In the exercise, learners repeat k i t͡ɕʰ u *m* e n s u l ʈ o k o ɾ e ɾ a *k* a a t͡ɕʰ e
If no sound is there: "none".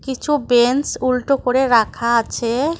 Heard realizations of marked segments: b, kʰ

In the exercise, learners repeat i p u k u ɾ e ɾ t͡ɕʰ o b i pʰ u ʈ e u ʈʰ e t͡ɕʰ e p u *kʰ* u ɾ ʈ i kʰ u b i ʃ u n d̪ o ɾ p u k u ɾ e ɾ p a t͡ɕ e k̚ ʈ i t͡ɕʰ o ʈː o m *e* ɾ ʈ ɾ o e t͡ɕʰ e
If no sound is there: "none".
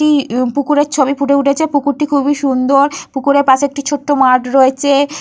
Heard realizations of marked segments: k, a

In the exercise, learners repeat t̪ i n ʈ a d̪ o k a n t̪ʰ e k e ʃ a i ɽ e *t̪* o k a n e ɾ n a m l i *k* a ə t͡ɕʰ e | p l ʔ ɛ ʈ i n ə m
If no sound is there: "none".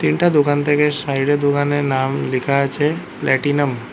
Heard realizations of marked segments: d̪, kʰ

